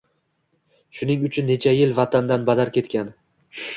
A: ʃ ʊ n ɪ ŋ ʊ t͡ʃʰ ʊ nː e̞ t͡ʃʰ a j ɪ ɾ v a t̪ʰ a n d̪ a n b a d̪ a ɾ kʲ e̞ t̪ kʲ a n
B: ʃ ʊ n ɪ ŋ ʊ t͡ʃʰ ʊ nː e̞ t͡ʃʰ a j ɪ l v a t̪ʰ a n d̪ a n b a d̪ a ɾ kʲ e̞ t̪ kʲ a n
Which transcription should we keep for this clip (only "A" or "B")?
B